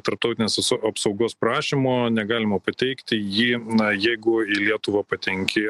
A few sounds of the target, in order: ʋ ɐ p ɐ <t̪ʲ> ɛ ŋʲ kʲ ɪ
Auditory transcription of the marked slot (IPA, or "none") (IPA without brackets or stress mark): t̪ʲ